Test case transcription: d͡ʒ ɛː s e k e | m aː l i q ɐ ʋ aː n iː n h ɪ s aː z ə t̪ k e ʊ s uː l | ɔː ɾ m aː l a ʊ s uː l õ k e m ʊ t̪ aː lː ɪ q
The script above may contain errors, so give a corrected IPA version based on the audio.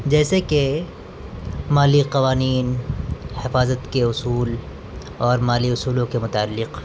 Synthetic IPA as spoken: d͡ʒ ɛː s e k e | m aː l i q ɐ ʋ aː n iː n h ɪ f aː z ə t̪ k e ʊ s uː l | ɔː ɾ m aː l i ʊ s uː l õ k e m ʊ t̪ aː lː ɪ q

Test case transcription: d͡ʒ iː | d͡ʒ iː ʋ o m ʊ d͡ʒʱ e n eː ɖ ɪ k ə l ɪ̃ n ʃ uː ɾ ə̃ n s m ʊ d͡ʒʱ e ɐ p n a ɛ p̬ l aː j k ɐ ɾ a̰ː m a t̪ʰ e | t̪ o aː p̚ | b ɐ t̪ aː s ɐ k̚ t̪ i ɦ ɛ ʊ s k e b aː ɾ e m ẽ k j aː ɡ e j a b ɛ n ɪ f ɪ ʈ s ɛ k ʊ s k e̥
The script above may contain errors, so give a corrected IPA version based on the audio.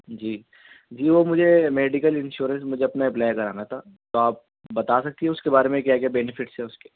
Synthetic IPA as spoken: d͡ʒ iː | d͡ʒ iː ʋ o m ʊ d͡ʒʱ e m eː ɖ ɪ k ə l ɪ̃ n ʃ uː ɾ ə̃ n s m ʊ d͡ʒʱ e ɐ p n a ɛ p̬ l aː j k ɐ ɾ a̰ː n a t̪ʰ a | t̪ o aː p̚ | b ɐ t̪ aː s ɐ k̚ t̪ i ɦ ɛ ʊ s k e b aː ɾ e m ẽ k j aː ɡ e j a b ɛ n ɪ f ɪ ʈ s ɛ ʊ s k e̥

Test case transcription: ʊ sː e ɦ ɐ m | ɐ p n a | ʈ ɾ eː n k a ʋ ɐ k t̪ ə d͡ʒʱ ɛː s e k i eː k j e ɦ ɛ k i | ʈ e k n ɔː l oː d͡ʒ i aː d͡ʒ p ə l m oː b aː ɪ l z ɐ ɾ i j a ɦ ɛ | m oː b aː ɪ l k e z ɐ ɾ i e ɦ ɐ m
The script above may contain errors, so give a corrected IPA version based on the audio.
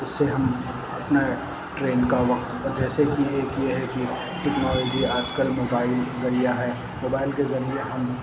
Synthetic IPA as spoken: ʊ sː e ɦ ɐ m | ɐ p n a | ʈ ɾ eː n k a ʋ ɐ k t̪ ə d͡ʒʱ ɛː s e k i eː k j e ɦ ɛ k i | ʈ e k n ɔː l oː d͡ʒ i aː d͡ʒ k ə l m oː b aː ɪ l z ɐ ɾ i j a ɦ ɛ | m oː b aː ɪ l k e z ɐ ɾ i e ɦ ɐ m

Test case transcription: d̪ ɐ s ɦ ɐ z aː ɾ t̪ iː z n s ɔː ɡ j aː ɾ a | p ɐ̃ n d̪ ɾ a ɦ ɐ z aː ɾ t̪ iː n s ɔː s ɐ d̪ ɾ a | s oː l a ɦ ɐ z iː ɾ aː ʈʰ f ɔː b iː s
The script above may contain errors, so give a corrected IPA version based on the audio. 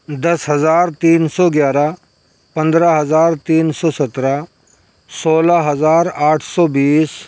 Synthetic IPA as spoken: d̪ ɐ s ɦ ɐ z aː ɾ t̪ iː n s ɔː ɡ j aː ɾ a | p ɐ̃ n d̪ ɾ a ɦ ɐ z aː ɾ t̪ iː n s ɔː s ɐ t̪ ɾ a | s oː l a ɦ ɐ z aː ɾ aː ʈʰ s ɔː b iː s

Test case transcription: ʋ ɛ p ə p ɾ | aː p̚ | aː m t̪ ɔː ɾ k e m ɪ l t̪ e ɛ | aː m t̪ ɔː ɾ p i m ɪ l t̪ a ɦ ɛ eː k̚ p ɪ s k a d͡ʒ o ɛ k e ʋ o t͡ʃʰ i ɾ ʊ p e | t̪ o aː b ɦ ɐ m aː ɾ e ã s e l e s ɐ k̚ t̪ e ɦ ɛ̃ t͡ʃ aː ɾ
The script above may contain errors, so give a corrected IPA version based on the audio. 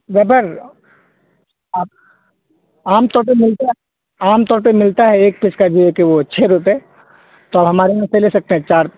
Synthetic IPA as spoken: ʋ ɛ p ə ɾ | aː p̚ | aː m t̪ ɔː ɾ p e m ɪ l t̪ a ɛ | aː m t̪ ɔː ɾ p e m ɪ l t̪ a ɦ ɛ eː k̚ p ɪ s k a d͡ʒ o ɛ k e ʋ o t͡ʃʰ e ɾ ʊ p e | t̪ o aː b ɦ ɐ m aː ɾ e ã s e l e s ɐ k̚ t̪ e ɦ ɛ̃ t͡ʃ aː ɾ

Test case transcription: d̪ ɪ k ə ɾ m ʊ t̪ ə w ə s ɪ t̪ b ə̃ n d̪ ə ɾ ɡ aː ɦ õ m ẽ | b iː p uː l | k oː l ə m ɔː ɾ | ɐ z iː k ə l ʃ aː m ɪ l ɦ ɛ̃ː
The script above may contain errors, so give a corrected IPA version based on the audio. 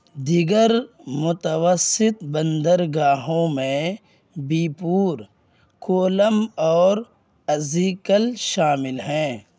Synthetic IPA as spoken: d̪ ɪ ɡ ə ɾ m ʊ t̪ ə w ə s ɪ t̪ b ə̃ n d̪ ə ɾ ɡ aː ɦ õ m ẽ | b iː p uː ɾ | k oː l ə m ɔː ɾ | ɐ z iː k ə l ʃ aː m ɪ l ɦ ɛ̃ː

